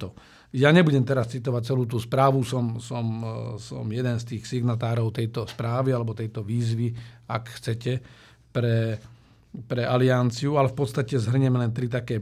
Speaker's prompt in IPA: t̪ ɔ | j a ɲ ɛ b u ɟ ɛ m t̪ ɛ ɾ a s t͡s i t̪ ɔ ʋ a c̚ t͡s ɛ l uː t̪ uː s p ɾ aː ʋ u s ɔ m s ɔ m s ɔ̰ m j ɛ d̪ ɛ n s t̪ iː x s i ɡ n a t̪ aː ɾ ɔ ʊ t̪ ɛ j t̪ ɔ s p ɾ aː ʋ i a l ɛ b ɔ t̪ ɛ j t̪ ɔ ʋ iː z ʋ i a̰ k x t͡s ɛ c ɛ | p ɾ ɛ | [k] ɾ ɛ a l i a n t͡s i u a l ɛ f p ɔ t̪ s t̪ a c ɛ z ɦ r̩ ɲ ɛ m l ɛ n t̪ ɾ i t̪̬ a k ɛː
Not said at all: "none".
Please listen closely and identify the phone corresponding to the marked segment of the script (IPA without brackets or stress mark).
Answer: p